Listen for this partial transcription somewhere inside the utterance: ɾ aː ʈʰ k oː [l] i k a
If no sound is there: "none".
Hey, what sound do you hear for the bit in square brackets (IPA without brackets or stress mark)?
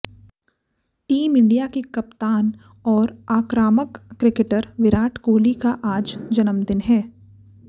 l